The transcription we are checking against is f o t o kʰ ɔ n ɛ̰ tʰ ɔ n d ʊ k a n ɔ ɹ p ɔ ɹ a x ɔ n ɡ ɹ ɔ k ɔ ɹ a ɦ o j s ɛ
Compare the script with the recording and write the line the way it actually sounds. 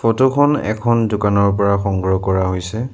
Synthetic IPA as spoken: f o t o kʰ ɔ n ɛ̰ kʰ ɔ n d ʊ k a n ɔ ɹ p ɔ ɹ a x ɔ ŋ ɡ ɹ ɔ k ɔ ɹ a ɦ o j s ɛ